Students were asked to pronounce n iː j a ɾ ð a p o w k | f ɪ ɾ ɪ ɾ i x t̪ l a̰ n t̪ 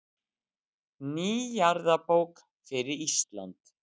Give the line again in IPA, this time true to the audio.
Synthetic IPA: n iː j a ɾ ð a p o w k | f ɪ ɾ ɪ ɾ i s t̪ l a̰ n t̪